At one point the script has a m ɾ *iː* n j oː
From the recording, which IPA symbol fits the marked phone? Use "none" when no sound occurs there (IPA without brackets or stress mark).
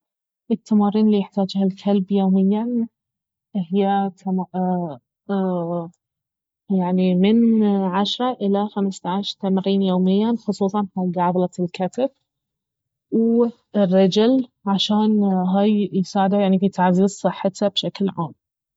iː